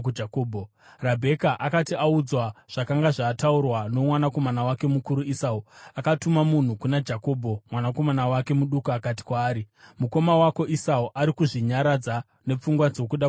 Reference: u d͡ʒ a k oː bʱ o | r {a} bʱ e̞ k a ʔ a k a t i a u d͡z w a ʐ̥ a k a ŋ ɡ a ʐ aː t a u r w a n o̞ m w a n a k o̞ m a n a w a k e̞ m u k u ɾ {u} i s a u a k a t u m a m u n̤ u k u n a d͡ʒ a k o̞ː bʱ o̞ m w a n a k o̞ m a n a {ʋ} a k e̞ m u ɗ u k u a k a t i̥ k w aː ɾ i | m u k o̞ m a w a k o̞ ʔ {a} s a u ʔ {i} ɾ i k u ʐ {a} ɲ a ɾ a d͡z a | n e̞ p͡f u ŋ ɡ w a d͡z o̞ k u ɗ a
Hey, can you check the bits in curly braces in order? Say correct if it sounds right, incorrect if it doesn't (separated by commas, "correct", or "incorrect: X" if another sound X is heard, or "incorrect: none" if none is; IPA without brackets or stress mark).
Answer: correct, correct, incorrect: w, incorrect: i, incorrect: a, incorrect: i